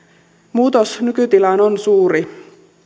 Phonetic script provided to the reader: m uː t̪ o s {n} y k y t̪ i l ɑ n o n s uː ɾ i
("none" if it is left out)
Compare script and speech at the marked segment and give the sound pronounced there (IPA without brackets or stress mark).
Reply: n